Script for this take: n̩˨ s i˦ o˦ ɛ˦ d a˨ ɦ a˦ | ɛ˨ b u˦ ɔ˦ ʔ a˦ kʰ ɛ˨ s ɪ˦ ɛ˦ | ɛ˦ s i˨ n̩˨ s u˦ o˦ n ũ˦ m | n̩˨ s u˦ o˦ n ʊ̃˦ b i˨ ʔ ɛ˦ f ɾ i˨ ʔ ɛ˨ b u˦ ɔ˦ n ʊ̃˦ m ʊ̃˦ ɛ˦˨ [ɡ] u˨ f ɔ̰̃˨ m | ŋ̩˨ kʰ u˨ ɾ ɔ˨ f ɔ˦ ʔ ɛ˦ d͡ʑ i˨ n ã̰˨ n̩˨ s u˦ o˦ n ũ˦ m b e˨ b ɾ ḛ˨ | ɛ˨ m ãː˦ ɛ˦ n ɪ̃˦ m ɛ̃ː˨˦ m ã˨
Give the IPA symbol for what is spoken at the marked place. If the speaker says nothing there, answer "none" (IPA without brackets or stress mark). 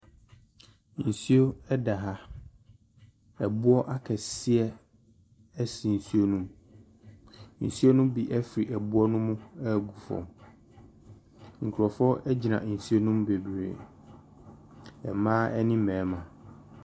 ɡ